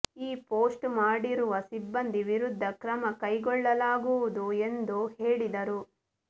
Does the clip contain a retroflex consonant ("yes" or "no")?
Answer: yes